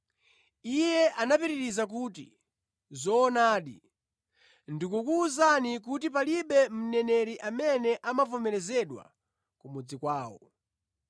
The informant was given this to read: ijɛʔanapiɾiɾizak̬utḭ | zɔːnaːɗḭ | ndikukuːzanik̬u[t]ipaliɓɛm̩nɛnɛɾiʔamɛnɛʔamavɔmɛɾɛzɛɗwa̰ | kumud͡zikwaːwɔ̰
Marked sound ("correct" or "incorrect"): correct